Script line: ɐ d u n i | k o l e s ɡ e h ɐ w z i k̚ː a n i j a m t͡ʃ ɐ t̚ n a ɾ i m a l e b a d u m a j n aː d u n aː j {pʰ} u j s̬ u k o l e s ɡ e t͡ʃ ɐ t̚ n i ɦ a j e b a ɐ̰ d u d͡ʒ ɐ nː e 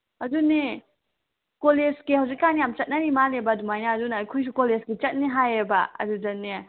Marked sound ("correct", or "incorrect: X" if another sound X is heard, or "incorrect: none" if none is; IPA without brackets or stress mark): incorrect: kʰ